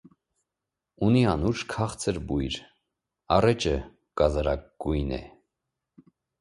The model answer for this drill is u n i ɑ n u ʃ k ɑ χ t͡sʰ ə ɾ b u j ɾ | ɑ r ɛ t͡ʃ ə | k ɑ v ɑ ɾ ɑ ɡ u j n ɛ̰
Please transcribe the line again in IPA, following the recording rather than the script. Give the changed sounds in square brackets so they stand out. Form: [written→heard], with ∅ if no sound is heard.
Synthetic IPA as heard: u n i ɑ n u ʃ [k→kʰ] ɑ χ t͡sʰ ə ɾ b u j ɾ | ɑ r ɛ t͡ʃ ə | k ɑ [v→z] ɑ ɾ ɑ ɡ u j n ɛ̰